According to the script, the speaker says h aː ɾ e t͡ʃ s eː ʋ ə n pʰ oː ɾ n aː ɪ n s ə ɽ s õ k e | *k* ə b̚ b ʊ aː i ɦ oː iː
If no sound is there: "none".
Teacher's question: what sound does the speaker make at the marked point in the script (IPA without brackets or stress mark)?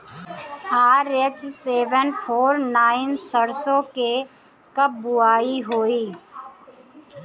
k